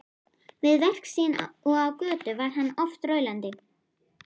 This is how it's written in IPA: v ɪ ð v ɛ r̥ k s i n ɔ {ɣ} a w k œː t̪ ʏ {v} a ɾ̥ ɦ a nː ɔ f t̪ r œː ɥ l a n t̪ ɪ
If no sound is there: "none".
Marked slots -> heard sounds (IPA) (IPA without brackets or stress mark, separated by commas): ɣ, v